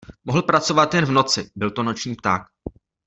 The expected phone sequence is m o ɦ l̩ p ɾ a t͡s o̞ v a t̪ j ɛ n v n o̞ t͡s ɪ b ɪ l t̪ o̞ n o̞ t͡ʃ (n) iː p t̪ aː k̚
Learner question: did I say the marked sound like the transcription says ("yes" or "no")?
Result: no